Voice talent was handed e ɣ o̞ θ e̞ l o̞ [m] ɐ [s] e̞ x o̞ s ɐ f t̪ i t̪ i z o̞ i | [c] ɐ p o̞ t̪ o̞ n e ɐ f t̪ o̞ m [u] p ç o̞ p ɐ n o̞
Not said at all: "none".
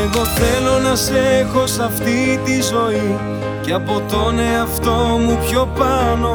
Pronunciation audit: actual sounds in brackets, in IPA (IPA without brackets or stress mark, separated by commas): n, s, c, u